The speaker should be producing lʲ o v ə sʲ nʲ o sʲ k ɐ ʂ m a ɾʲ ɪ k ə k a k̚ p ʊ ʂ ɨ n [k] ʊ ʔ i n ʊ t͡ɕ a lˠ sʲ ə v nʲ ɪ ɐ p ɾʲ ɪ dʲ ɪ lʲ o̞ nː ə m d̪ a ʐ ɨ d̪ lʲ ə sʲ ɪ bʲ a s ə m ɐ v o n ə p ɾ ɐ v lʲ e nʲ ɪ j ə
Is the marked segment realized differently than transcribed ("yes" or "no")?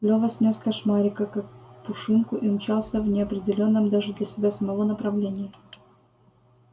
no